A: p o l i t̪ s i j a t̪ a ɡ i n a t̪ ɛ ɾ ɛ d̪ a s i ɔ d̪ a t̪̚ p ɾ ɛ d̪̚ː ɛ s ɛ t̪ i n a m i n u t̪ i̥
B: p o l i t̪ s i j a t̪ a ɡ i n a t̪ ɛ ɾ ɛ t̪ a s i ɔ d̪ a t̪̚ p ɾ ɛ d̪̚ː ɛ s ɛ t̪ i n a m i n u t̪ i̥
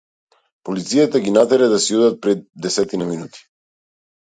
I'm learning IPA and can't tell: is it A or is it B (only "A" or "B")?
A